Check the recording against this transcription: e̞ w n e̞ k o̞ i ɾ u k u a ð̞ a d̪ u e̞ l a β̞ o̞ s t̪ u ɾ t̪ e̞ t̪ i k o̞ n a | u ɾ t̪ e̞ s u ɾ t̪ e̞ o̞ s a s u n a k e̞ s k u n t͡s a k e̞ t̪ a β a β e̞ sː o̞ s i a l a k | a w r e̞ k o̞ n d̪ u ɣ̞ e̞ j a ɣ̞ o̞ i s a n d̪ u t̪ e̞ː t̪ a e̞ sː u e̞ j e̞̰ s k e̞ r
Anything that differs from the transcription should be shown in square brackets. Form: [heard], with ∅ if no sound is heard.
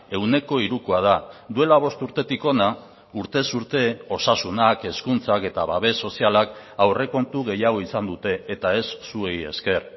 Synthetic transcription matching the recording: e̞ w n e̞ k o̞ i ɾ u k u a ð̞ a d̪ u e̞ l a β̞ o̞ s t̪ u ɾ t̪ e̞ t̪ i k o̞ n a | u ɾ t̪ e̞ s u ɾ t̪ e̞ o̞ s a s u n a k e̞ s k u n t͡s a k e̞ t̪ a β a β e̞ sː o̞ s i a l a k | a w r e̞ k o̞ n [t̪] u ɣ̞ e̞ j a ɣ̞ o̞ i s a n d̪ u t̪ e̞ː t̪ a e̞ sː u e̞ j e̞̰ s k e̞ r